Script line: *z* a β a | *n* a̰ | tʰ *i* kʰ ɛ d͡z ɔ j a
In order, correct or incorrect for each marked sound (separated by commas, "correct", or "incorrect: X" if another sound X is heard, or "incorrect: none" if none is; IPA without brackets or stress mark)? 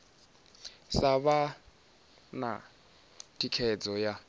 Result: incorrect: s, correct, correct